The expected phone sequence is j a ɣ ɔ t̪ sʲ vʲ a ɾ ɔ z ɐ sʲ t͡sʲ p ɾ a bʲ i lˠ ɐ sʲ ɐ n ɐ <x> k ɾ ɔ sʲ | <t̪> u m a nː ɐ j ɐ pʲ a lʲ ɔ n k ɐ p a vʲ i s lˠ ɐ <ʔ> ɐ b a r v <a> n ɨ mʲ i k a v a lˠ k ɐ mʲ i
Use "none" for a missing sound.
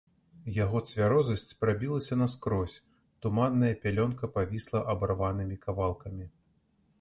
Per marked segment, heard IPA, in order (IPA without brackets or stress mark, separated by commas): s, t̪, ʔ, a